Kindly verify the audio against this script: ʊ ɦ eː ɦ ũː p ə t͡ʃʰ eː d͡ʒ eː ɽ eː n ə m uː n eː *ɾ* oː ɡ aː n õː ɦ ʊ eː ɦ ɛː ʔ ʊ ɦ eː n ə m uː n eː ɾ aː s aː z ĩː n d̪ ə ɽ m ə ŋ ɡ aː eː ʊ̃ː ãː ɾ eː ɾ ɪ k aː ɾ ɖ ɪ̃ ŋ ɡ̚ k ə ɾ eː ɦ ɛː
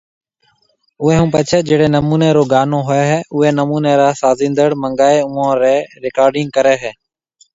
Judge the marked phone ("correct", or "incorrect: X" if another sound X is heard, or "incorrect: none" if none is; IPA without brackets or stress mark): correct